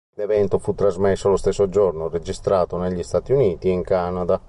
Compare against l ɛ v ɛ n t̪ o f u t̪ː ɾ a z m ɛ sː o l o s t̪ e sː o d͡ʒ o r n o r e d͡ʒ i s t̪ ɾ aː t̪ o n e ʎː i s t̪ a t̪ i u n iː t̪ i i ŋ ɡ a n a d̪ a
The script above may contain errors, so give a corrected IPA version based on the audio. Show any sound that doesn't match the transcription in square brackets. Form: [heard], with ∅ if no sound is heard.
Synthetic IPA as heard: l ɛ v ɛ n t̪ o f u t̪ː ɾ a z m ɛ sː o l o s t̪ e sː o d͡ʒ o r n o r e d͡ʒ i s t̪ ɾ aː t̪ o n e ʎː i s t̪ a t̪ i u n iː t̪ i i ŋ [k] a n a d̪ a